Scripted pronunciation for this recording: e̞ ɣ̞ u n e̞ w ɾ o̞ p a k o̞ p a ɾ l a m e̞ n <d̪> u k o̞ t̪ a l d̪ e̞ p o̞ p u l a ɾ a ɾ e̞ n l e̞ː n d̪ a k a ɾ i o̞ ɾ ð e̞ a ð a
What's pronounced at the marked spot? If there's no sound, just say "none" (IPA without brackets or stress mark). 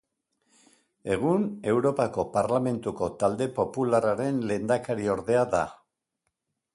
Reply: t̪